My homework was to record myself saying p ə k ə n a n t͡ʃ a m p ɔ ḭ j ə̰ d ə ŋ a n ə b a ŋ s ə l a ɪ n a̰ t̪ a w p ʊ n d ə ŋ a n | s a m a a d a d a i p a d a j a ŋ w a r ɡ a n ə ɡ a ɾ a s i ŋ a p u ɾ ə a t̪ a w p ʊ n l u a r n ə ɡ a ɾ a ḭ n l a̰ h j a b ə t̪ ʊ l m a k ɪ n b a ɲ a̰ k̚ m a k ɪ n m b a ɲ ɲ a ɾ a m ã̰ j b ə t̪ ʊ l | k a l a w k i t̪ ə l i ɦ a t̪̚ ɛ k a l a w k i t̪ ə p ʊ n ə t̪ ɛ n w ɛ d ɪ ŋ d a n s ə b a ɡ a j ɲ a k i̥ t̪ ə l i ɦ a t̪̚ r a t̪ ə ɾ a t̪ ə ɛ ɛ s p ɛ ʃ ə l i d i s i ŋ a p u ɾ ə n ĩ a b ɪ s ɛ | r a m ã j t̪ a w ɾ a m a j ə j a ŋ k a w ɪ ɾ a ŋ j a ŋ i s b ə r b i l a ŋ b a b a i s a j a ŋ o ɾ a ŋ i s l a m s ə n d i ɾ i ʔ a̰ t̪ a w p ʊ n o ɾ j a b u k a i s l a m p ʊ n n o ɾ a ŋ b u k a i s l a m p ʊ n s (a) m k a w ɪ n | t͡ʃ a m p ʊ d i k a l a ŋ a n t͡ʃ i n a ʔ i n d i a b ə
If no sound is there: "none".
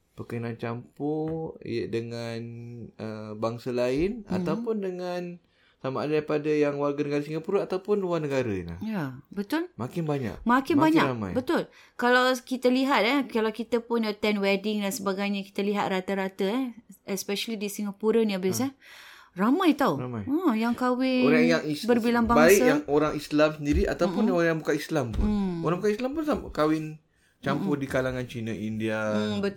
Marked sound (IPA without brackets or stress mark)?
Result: a